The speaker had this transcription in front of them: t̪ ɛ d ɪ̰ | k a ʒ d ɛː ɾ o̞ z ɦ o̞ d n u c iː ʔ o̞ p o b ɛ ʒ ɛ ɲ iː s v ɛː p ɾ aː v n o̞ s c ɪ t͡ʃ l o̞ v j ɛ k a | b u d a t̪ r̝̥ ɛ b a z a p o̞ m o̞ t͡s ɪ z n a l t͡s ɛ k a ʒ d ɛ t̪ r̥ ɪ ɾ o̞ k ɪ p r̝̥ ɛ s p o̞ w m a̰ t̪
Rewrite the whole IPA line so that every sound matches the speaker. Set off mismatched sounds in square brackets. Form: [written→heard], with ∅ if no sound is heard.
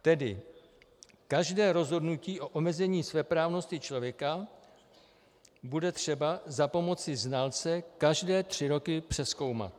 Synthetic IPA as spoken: t̪ ɛ d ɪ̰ | k a ʒ d ɛː ɾ o̞ z ɦ o̞ d n u c iː ʔ o̞ [p→ʔ] o [b→m] ɛ [ʒ→z] ɛ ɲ iː s v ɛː p ɾ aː v n o̞ s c ɪ t͡ʃ l o̞ v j ɛ k a | b u d [a→ɛ] t̪ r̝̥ ɛ b a z a p o̞ m o̞ t͡s ɪ z n a l t͡s ɛ k a ʒ d [ɛ→ɛː] t̪ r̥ ɪ ɾ o̞ k ɪ p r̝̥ ɛ s [p→k] o̞ w m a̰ t̪

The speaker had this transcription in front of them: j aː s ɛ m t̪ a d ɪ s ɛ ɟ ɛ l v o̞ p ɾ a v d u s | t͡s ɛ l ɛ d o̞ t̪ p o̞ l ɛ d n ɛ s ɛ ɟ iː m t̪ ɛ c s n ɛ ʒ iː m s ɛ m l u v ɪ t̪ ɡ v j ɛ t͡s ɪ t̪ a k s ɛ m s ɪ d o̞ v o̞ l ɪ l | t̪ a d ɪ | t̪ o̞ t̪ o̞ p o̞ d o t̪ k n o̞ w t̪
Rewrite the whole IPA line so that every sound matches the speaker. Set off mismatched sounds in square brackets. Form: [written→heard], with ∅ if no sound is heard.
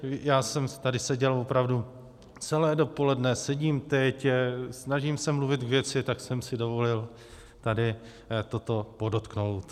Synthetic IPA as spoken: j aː s ɛ m t̪ a d ɪ s ɛ ɟ ɛ l v o̞ p ɾ a v d u [s→∅] | t͡s ɛ l [ɛ→ɛː] d o̞ [t̪→∅] p o̞ l ɛ d n ɛ s ɛ ɟ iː m t̪ ɛ c s n [ɛ→a] ʒ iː m s ɛ m l u v ɪ t̪ ɡ v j ɛ t͡s ɪ t̪ a k s ɛ m s ɪ d o̞ v o̞ l ɪ l | t̪ a d ɪ | t̪ o̞ t̪ o̞ p o̞ d o t̪ k n o̞ w t̪

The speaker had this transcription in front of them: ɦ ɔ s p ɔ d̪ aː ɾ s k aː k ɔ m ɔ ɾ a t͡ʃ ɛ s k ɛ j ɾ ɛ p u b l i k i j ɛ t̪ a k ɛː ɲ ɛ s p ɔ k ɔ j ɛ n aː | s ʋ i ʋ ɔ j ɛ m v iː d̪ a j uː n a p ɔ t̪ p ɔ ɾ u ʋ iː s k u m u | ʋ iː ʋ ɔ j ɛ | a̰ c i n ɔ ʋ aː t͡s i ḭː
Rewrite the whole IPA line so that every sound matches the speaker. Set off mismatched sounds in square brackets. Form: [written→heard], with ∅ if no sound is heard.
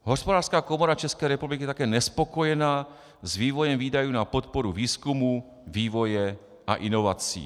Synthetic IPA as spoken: ɦ ɔ s p ɔ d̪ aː ɾ s k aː k ɔ m ɔ ɾ a t͡ʃ ɛ s k ɛ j ɾ ɛ p u b l i k i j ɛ t̪ a k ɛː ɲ ɛ s p ɔ k ɔ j ɛ n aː | [s→z] ʋ [i→iː] ʋ ɔ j ɛ m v iː d̪ a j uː n a p ɔ t̪ p ɔ ɾ u ʋ iː s k u m u | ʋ iː ʋ ɔ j ɛ | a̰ [c→ʔ] i n ɔ ʋ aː t͡s i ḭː

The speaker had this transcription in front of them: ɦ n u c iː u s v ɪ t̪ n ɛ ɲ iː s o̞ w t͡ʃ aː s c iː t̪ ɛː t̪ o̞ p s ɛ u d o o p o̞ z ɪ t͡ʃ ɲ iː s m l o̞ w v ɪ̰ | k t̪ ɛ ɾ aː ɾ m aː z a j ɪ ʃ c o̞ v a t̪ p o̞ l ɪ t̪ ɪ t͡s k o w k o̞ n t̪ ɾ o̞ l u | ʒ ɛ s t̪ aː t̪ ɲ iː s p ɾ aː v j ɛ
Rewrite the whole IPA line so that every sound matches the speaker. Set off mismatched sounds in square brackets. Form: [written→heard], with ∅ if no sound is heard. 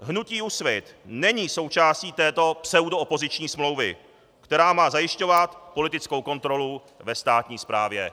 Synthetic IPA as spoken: ɦ n u c iː u s v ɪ t̪ n ɛ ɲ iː s o̞ w t͡ʃ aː s c iː t̪ ɛː t̪ o̞ p s ɛ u d o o p o̞ z ɪ t͡ʃ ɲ iː s m l o̞ w v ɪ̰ | k t̪ ɛ ɾ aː [ɾ→∅] m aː z a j ɪ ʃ c o̞ v a t̪ p o̞ l ɪ t̪ ɪ t͡s k o w k o̞ n t̪ ɾ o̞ l u | [ʒ→v] ɛ s t̪ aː t̪ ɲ iː s p ɾ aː v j ɛ

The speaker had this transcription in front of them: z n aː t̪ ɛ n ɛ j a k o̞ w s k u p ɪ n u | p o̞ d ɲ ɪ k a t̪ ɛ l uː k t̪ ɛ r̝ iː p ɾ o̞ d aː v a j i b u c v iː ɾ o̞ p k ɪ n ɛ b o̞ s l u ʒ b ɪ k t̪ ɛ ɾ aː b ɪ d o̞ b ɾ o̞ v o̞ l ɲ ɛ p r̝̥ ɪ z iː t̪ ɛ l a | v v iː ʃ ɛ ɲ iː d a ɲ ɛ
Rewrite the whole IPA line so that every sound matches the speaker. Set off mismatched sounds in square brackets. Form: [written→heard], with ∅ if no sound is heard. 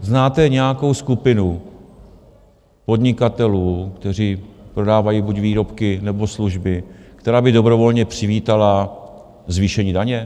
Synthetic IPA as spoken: z n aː t̪ ɛ [n→ɲ] ɛ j a k o̞ w s k u p ɪ n u | p o̞ d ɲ ɪ k a t̪ ɛ l uː k t̪ ɛ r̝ iː p ɾ o̞ d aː v a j i b u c v iː ɾ o̞ p k ɪ n ɛ b o̞ s l u ʒ b ɪ k t̪ ɛ ɾ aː b ɪ d o̞ b ɾ o̞ v o̞ l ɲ ɛ p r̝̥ ɪ [z→v] iː t̪ [ɛ→a] l a | [v→z] v iː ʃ ɛ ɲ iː d a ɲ ɛ

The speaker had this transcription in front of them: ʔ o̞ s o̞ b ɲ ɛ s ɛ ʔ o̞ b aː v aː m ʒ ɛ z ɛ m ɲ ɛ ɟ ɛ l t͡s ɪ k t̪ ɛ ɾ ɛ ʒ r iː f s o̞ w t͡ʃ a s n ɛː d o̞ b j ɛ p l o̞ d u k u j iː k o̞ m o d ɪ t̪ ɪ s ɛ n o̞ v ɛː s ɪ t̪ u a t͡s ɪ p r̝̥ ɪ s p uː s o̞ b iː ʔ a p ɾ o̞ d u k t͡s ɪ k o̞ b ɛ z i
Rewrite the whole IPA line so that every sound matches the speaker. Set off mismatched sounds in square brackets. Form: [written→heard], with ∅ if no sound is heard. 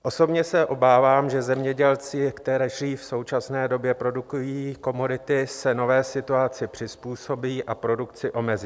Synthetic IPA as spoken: ʔ o̞ s o̞ b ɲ ɛ s ɛ ʔ o̞ b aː v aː m ʒ ɛ z ɛ m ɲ ɛ ɟ ɛ l t͡s ɪ k t̪ ɛ ɾ ɛ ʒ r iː f s o̞ w t͡ʃ a s n ɛː d o̞ b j ɛ p [l→ɾ] o̞ d u k u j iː k o̞ m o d ɪ t̪ ɪ s ɛ n o̞ v ɛː s ɪ t̪ u a t͡s ɪ p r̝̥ ɪ s p uː s o̞ b iː ʔ a p ɾ o̞ d u k t͡s ɪ [k→ʔ] o̞ [b→m] ɛ z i

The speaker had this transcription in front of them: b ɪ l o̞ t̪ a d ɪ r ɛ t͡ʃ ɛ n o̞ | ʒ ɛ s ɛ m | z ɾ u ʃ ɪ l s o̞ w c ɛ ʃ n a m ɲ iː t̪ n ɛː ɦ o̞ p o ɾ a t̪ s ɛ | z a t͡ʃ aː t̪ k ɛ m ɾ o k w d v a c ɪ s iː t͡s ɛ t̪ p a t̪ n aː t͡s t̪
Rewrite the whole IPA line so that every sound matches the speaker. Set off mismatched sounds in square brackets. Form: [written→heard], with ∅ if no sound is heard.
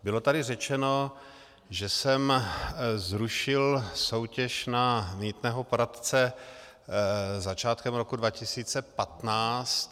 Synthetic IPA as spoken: b ɪ l o̞ t̪ a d ɪ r ɛ t͡ʃ ɛ n o̞ | ʒ ɛ s ɛ m | z ɾ u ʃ ɪ l s o̞ w c ɛ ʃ n a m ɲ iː t̪ n ɛː ɦ o̞ p o ɾ a t̪ [s→t͡s] ɛ | z a t͡ʃ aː t̪ k ɛ m ɾ o k [w→u] d v a c ɪ s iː t͡s ɛ [t̪→∅] p a t̪ n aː t͡s t̪

